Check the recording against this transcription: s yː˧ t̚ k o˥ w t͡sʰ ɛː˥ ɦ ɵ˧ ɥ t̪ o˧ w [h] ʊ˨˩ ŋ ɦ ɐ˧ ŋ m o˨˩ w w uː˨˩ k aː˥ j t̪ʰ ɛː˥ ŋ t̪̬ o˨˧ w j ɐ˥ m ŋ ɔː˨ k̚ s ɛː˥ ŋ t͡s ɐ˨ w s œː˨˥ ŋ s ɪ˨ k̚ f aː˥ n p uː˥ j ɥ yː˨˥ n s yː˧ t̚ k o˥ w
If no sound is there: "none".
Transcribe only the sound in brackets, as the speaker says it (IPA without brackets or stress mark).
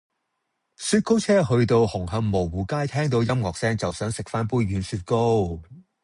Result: h